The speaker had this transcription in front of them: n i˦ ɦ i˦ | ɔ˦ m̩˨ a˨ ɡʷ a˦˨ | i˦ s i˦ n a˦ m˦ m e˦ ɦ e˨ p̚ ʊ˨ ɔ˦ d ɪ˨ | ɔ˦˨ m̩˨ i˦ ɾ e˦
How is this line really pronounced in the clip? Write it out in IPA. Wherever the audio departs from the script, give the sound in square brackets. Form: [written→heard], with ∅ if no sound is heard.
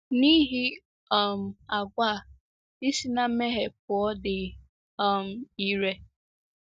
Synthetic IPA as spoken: n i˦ ɦ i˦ | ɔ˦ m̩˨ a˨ ɡʷ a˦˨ | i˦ s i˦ n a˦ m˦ m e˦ ɦ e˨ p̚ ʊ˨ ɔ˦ d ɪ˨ | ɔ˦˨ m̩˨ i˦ ɾ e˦